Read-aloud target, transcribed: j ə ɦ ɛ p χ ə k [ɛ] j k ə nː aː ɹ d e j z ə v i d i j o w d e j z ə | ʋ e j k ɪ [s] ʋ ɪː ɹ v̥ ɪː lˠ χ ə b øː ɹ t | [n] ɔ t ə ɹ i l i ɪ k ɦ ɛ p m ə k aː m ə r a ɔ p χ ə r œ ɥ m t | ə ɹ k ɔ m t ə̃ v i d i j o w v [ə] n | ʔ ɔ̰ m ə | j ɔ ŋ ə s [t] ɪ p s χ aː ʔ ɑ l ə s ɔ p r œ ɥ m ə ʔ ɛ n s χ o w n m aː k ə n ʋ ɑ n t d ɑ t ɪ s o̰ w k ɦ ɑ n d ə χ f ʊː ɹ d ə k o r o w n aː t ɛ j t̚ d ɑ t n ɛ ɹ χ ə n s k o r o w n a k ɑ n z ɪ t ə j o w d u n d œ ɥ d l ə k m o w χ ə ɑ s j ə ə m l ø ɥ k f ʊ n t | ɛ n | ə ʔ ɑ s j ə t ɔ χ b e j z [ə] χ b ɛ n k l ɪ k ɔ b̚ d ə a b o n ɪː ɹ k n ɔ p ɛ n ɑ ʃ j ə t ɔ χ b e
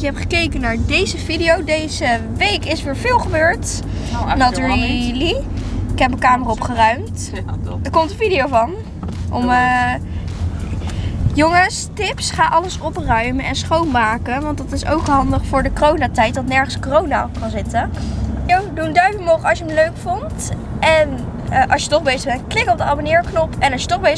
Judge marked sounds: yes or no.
no, yes, yes, no, yes, yes

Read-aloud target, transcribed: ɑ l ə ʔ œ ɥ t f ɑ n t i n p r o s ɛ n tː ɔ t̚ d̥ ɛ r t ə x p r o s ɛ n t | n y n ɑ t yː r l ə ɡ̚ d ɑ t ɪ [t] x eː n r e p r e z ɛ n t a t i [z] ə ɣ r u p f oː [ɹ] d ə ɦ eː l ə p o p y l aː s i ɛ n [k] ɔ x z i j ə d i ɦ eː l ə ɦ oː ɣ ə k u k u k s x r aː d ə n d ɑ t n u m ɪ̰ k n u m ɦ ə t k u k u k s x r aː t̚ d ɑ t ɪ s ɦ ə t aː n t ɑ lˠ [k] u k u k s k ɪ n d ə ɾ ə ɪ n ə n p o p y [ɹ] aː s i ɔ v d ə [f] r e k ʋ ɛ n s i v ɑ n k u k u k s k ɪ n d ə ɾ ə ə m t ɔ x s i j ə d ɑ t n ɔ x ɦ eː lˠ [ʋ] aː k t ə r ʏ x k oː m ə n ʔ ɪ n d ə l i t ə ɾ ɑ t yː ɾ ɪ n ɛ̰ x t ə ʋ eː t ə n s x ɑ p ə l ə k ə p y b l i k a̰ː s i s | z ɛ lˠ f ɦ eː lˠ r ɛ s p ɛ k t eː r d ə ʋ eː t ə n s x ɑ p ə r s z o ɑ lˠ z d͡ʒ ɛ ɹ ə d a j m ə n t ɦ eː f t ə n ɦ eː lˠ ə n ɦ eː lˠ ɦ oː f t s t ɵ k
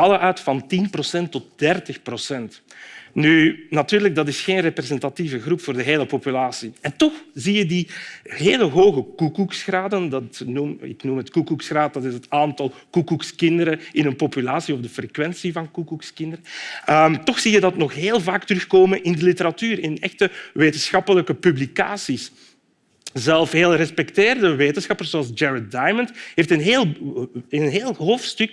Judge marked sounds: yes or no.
no, no, no, no, yes, no, yes, no

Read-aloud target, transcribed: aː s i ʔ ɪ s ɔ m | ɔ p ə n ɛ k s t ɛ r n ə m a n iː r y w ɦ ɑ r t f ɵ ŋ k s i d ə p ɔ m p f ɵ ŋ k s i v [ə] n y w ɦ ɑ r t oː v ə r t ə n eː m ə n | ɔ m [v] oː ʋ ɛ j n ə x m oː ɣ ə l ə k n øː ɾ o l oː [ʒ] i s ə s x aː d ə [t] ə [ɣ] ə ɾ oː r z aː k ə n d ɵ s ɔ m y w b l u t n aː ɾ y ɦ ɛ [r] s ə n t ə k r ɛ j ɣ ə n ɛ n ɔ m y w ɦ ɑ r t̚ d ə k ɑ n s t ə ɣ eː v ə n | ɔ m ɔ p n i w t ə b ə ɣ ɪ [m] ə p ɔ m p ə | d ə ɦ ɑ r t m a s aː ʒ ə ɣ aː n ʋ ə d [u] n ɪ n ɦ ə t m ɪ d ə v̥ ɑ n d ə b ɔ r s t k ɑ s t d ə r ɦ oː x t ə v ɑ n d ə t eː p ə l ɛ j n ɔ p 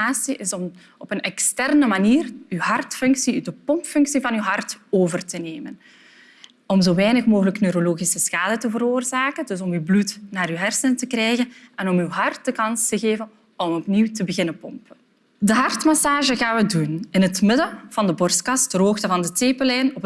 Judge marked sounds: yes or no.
no, no, no, yes, no, yes, no, yes

